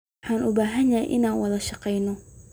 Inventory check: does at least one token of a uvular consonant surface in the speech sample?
yes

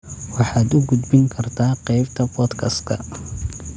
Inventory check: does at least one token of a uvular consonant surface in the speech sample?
yes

